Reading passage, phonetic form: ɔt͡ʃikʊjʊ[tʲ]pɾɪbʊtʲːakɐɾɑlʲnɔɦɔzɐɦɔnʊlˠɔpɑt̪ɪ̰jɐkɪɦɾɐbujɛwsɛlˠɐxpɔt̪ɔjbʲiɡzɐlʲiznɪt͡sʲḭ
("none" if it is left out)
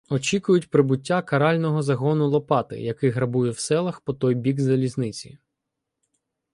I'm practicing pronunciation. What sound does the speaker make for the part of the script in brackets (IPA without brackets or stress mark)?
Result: tʲ